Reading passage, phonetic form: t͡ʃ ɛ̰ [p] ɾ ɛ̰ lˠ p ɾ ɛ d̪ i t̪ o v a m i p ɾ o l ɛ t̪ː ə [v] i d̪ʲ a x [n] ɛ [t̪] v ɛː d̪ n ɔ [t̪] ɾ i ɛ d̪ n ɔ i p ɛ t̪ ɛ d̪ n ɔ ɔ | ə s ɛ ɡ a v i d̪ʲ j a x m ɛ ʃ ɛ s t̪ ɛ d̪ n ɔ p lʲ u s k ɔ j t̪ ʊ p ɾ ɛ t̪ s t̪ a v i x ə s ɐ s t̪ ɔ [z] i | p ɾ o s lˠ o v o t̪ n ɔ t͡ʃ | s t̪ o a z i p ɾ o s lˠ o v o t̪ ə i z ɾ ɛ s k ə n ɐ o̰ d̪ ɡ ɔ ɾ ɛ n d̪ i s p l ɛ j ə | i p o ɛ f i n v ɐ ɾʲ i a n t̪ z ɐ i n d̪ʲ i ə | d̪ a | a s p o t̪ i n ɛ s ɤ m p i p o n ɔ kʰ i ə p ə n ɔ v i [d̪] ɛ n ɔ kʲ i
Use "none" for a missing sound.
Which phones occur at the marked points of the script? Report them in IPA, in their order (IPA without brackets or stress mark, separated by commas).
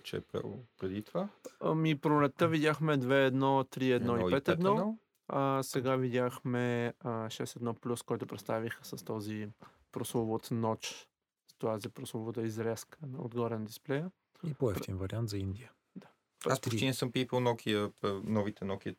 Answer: p, v, m, d̪, t̪, z, t̪